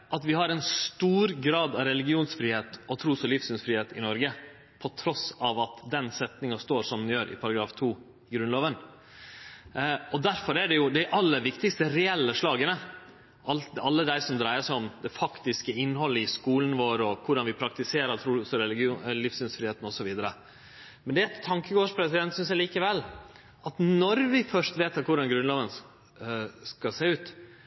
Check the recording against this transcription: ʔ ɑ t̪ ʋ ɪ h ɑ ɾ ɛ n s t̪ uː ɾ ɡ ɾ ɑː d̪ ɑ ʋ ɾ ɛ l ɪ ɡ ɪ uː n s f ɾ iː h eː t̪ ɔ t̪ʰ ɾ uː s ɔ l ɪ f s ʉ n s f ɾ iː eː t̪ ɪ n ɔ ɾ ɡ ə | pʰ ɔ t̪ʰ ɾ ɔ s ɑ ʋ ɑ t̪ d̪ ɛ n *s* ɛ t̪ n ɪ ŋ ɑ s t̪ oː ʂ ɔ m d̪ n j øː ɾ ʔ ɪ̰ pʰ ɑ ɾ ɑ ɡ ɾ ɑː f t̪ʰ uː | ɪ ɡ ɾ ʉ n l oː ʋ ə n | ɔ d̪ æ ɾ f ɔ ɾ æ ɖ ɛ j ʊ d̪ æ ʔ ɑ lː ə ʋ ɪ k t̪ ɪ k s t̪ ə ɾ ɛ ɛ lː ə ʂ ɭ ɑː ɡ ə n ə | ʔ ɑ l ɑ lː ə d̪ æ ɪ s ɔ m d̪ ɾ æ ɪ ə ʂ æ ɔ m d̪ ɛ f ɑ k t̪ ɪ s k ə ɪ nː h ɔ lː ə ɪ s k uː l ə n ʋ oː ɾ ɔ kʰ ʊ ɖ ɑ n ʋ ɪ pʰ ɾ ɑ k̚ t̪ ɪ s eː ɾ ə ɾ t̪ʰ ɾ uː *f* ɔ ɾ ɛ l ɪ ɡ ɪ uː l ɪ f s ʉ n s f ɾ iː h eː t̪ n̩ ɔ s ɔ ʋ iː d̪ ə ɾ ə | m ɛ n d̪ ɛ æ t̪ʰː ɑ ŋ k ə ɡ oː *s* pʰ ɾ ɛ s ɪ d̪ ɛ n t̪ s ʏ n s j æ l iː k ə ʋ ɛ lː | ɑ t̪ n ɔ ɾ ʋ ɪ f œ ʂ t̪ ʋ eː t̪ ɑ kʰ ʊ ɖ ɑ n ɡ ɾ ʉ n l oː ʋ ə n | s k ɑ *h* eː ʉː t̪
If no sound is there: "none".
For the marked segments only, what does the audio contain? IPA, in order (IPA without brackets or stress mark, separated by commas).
s, s, ʂ, s